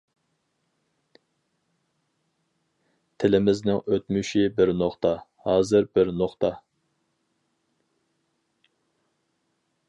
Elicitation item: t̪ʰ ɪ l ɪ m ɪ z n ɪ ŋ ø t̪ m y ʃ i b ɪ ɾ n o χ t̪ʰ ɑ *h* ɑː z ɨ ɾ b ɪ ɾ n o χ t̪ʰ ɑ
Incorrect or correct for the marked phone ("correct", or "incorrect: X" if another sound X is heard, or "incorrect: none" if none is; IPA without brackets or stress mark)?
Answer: correct